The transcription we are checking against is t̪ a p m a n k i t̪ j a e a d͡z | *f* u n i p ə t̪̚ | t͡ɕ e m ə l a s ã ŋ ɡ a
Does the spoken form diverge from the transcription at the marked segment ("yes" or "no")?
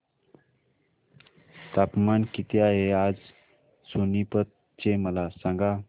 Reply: yes